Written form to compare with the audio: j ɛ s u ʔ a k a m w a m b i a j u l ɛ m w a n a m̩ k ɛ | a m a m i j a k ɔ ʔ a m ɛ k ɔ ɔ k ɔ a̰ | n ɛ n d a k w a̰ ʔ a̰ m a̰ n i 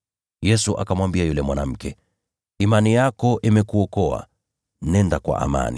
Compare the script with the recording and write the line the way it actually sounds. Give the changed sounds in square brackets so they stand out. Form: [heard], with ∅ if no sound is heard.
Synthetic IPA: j ɛ s u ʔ a k a m w a m b i a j u l ɛ m w a n a m̩ k ɛ | [i] m a [n] i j a k ɔ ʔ [i] m ɛ k [u] ɔ k ɔ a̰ | n ɛ n d a k w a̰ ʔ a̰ m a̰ n i